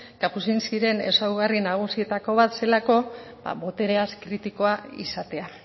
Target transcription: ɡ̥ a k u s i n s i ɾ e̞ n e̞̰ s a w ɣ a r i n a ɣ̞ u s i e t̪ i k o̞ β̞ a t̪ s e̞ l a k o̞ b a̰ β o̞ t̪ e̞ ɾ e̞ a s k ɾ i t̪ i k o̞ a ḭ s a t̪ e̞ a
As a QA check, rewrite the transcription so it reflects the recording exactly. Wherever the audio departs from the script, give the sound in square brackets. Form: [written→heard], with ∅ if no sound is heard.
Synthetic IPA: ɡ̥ a [k→p] u s i n s i ɾ e̞ n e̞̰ s a w ɣ a r i n a ɣ̞ u s i e t̪ [i→a] k o̞ β̞ a t̪ s e̞ l a k o̞ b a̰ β o̞ t̪ e̞ ɾ e̞ a s k ɾ i t̪ i k o̞ a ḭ s a t̪ e̞ a